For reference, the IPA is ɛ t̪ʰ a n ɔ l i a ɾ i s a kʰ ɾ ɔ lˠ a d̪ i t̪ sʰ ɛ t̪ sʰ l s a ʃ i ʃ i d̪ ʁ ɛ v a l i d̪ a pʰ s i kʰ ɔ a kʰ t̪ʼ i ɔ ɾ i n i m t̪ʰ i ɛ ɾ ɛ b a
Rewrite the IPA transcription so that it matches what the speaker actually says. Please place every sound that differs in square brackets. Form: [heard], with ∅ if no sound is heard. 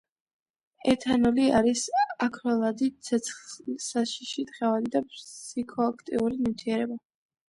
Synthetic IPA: ɛ t̪ʰ a n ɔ l i a ɾ i s a kʰ ɾ ɔ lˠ a d̪ i t̪ sʰ ɛ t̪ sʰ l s a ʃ i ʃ i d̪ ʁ ɛ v a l i d̪ a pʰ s i kʰ ɔ a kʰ t̪ʼ i [u] ɾ i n i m t̪ʰ i ɛ ɾ ɛ b a